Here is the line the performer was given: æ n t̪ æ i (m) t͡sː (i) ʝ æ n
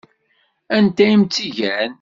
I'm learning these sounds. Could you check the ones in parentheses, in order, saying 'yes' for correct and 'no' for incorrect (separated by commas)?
yes, yes